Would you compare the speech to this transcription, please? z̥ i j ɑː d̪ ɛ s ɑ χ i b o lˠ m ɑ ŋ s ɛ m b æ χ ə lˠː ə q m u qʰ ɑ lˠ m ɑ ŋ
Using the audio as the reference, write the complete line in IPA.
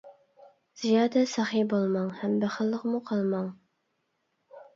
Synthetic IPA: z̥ i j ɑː d̪ ɛ s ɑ χ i b o lˠ m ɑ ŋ h ɛ m b æ χ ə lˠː ə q m u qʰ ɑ lˠ m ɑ ŋ

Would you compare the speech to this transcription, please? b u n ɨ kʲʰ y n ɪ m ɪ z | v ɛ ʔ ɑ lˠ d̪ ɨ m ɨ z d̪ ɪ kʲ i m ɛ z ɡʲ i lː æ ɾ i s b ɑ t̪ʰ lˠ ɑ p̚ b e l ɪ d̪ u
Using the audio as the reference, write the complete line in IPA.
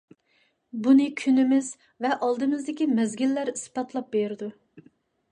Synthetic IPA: b u n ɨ kʲʰ y n ɪ m ɪ z | v ɛ ʔ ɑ lˠ d̪ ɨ m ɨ z d̪ ɪ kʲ i m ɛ z ɡʲ i lː æ ɾ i s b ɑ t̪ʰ lˠ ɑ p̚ b e ɾ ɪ d̪ u

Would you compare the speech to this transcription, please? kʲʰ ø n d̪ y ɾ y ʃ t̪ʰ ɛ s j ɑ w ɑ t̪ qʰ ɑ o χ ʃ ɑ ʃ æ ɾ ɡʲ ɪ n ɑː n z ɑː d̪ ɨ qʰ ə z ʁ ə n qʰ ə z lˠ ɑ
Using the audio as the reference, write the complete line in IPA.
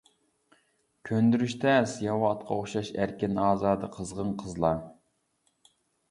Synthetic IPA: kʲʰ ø n d̪ y ɾ y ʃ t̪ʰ ɛ s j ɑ w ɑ t̪ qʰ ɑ o χ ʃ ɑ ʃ æ ɾ kʲ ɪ n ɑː z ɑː d̪ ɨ qʰ ə z ʁ ə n qʰ ə z lˠ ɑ

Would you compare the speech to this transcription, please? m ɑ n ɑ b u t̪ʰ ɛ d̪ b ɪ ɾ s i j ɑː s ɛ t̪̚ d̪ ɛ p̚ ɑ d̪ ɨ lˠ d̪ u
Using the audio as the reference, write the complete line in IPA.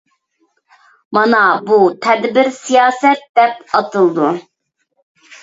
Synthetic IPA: m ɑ n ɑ b u t̪ʰ ɛ d̪ b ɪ ɾ s i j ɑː s ɛ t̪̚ d̪ ɛ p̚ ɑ t̪ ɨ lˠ d̪ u

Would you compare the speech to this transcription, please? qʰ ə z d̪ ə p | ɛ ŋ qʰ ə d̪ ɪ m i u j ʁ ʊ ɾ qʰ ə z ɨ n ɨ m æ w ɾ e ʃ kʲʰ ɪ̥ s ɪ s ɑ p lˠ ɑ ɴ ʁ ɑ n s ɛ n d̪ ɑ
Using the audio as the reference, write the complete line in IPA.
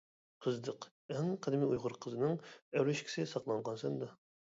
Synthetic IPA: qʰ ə z d̪ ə q | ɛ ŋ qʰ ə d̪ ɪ m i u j ʁ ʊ ɾ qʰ ə z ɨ n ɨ ŋ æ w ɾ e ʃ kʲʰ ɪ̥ s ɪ s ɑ q lˠ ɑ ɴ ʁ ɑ n s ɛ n d̪ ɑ

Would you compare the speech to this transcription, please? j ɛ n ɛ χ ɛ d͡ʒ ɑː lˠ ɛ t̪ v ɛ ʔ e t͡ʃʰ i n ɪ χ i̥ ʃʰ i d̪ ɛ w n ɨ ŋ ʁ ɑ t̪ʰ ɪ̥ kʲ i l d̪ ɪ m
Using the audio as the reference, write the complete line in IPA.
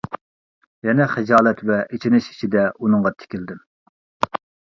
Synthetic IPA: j ɛ n ɛ χ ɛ d͡ʒ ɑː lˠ ɛ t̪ v ɛ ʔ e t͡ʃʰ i n ɪ ʃ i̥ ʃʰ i d̪ ɛ u n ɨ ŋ ʁ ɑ t̪ʰ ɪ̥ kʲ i l d̪ ɪ m

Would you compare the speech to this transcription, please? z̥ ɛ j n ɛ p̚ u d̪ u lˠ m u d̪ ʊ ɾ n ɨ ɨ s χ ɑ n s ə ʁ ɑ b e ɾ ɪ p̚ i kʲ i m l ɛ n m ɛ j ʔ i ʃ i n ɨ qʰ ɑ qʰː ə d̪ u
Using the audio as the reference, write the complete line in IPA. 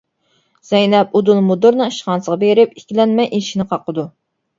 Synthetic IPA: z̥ ɛ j n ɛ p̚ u d̪ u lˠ m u d̪ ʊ ɾ n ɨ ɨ ʃ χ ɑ n s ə ʁ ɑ b e ɾ ɪ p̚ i kʲ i l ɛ n m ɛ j ʔ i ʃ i n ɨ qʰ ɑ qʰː ə d̪ u

